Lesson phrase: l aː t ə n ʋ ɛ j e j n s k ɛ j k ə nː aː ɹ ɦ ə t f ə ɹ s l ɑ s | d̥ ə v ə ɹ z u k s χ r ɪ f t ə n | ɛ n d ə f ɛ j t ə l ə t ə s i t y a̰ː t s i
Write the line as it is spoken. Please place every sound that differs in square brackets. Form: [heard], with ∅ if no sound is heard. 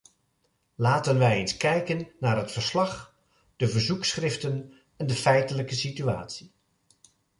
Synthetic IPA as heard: l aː t ə n ʋ ɛ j e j n s k ɛ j k ə nː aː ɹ ɦ ə t f ə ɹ s l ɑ [χ] | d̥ ə v ə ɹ z u k s χ r ɪ f t ə n | ɛ n d ə f ɛ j t ə l ə [k] ə s i t y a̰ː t s i